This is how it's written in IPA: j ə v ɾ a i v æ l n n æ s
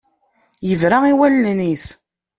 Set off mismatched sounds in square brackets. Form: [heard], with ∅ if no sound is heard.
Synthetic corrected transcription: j ə v ɾ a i [w] æ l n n [i] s